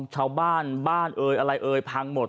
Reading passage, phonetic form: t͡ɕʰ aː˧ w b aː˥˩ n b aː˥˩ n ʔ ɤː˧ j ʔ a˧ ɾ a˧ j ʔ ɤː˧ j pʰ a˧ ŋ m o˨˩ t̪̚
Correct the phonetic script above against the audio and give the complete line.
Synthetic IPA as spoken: t͡ɕʰ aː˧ w b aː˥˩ n b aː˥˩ n ʔ ɤː˧ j ʔ a˧ ɾ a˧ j ʔ ɤː˧ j pʰ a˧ ŋ m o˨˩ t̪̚